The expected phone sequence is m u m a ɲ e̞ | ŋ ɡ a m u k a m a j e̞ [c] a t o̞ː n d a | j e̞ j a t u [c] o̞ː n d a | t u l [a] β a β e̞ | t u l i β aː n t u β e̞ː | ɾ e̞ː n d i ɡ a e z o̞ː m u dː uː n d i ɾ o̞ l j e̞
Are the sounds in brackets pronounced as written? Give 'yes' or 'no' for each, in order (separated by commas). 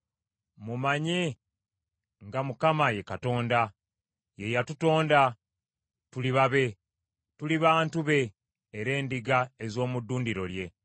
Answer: no, no, no